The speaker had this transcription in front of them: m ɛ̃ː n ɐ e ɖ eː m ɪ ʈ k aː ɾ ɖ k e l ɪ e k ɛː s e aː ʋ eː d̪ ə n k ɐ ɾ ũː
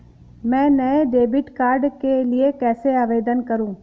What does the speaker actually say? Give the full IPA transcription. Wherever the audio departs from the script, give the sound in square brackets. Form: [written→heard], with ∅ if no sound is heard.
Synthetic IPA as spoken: m ɛ̃ː n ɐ e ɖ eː [m→b] ɪ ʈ k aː ɾ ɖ k e l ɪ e k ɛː s e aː ʋ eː d̪ ə n k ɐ ɾ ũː